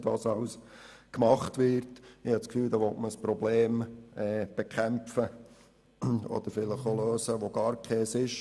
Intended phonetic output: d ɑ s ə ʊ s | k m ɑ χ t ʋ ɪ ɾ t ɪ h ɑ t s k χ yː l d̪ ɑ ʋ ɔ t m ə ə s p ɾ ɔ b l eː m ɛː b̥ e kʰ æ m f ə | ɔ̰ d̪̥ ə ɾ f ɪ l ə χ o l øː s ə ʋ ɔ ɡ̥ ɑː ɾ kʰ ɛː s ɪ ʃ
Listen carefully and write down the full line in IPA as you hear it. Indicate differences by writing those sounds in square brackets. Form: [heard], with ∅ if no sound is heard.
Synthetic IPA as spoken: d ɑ s [ɑ] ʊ s | k m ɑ χ t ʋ ɪ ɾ t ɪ h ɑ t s k [f] yː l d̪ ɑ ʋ ɔ t m ə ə s p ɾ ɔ b l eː m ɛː b̥ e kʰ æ m f ə | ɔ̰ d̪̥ ə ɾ f ɪ l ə χ o l øː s ə ʋ [o] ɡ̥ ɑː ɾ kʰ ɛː s ɪ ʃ